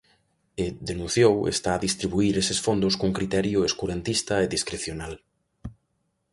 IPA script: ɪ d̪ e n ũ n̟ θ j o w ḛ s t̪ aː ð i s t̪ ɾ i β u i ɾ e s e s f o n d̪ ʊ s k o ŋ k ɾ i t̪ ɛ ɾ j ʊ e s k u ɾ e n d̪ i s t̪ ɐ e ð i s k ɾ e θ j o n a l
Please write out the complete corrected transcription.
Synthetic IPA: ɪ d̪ e n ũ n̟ θ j o w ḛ s t̪ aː ð i s t̪ ɾ i β u i ɾ e s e s f o n d̪ ʊ s k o ŋ k ɾ i t̪ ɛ ɾ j ʊ e s k u ɾ e n t̪ i s t̪ ɐ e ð i s k ɾ e θ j o n a l